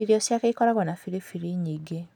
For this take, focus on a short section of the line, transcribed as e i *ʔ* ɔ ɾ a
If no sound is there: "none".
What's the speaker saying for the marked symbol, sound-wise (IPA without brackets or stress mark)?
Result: k